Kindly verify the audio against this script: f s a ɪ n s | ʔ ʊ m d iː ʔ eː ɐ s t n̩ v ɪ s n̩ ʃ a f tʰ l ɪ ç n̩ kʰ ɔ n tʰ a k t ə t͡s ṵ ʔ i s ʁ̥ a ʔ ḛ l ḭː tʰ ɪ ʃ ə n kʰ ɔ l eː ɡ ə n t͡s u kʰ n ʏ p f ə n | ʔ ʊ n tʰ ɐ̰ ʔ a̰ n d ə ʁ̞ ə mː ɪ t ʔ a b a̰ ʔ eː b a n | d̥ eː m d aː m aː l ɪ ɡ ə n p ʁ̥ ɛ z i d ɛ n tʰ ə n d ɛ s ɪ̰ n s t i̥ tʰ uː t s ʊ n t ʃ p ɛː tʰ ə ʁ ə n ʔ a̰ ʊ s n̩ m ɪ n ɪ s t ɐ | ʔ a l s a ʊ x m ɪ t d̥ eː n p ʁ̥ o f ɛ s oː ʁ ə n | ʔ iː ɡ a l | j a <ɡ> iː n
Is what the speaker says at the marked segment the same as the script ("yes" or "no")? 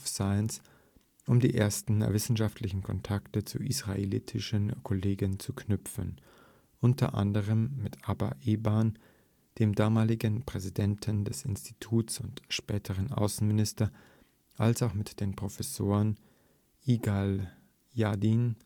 no